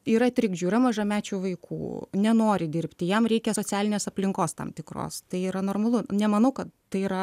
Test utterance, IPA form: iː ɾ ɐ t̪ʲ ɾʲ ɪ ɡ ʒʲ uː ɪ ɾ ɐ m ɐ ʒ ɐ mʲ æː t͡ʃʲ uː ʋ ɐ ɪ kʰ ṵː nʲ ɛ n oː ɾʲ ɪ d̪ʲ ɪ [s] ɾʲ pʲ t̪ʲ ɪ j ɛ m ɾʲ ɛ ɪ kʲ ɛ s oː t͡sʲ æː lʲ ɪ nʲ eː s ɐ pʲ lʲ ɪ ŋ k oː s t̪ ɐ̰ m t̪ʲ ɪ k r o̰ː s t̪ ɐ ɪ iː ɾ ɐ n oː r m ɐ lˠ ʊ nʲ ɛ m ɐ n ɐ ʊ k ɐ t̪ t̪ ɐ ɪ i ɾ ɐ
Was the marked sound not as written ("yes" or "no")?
yes